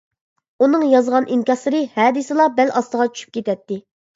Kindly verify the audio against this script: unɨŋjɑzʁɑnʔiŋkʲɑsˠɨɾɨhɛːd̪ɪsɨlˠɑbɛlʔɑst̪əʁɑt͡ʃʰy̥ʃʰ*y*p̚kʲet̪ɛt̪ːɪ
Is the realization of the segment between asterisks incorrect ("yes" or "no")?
no